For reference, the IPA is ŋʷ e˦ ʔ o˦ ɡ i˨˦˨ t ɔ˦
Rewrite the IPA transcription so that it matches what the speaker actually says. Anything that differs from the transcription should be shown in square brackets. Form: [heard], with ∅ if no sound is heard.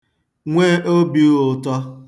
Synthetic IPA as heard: ŋʷ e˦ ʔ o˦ [b] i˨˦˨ t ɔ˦

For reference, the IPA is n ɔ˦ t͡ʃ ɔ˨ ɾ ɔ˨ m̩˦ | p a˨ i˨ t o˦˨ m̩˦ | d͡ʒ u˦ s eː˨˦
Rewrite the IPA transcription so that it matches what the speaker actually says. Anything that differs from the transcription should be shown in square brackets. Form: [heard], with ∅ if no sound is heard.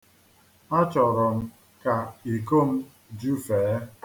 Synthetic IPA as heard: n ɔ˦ t͡ʃ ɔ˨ ɾ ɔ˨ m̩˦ | [k] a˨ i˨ [k] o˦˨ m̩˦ | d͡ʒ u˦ [f] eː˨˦

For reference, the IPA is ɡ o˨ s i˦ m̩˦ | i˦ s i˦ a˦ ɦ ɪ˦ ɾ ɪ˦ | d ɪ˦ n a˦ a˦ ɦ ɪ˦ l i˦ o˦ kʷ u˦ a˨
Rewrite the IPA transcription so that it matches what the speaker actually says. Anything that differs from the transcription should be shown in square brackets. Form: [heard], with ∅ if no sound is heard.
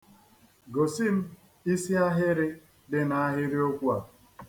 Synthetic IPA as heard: ɡ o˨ s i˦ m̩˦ | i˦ s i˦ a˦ ɦ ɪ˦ ɾ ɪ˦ | d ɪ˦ n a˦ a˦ ɦ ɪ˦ [ɾ] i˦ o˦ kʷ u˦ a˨

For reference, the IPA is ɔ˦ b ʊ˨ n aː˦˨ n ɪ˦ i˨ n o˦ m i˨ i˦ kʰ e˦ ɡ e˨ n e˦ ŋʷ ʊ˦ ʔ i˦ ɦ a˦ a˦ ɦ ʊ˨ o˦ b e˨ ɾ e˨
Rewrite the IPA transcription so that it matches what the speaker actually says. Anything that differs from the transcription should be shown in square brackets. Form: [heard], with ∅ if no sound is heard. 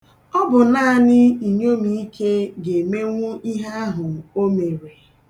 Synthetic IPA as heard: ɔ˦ b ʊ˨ n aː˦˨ n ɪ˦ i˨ [ɲ] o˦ m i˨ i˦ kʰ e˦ ɡ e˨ [m] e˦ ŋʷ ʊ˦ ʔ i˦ ɦ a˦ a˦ ɦ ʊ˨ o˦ [m] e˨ ɾ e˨

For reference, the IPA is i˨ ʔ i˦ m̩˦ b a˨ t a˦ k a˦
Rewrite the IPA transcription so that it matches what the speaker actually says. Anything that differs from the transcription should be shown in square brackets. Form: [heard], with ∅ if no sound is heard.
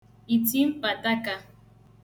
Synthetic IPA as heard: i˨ [t] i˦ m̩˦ [p] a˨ t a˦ k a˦

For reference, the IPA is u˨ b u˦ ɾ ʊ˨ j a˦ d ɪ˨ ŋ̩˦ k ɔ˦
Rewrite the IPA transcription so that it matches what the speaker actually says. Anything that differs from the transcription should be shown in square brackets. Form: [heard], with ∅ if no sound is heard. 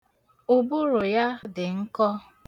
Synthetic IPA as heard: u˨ b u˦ ɾ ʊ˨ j a˦ d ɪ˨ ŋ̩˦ k ɔ˦

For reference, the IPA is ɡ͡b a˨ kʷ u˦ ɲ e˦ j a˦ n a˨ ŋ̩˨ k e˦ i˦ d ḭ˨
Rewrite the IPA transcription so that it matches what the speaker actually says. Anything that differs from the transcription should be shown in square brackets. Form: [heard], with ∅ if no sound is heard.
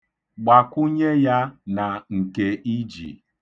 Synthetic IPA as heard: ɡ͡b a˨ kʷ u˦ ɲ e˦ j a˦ n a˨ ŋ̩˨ k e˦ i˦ [d͡ʒ] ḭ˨

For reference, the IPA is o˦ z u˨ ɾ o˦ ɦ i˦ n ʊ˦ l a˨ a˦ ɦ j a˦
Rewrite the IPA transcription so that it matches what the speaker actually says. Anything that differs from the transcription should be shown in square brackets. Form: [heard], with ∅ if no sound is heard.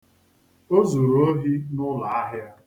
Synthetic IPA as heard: o˦ z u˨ ɾ o˦ ɦ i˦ n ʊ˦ l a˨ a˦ ɦ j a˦

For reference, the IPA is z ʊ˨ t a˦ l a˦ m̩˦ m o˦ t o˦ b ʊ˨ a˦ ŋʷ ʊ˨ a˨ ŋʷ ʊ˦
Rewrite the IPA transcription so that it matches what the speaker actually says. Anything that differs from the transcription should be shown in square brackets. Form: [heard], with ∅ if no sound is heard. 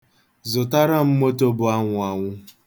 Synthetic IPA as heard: z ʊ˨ t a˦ [ɾ] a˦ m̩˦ m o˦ t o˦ b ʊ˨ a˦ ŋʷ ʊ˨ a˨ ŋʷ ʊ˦

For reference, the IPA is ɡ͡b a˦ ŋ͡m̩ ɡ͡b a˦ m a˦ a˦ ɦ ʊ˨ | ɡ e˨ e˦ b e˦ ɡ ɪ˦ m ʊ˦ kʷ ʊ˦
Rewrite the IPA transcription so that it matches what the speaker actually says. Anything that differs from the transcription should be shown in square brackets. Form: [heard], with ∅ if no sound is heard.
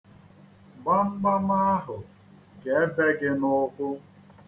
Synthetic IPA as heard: ɡ͡b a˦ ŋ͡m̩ ɡ͡b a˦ m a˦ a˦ ɦ ʊ˨ | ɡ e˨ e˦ b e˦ ɡ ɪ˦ [n] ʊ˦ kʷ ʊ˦

